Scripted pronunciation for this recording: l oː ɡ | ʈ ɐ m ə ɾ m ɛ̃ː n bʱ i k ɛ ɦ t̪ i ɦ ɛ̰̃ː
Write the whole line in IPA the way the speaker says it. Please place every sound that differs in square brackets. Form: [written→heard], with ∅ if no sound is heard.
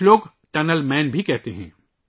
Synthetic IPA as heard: l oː ɡ | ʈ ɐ [m→n] ə [ɾ→l] m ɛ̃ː n bʱ i k ɛ ɦ t̪ [i→e] ɦ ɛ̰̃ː